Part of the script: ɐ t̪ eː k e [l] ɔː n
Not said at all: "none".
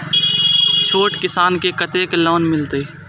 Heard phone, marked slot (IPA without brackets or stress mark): l